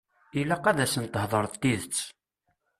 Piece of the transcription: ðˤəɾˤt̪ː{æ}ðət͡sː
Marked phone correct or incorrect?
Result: incorrect